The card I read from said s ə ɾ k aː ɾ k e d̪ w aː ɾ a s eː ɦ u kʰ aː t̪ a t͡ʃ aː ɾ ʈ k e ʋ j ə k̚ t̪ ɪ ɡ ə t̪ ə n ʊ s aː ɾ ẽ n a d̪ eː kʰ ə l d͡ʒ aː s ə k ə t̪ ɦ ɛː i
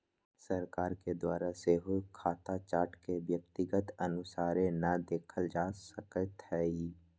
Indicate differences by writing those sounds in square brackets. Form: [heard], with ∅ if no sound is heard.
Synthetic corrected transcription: s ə ɾ k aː ɾ k e d̪ w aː ɾ a s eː ɦ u kʰ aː t̪ a t͡ʃ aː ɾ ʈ k e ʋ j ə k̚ t̪ ɪ ɡ ə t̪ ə n ʊ s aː ɾ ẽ n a d̪ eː kʰ ə l d͡ʒ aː s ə k ə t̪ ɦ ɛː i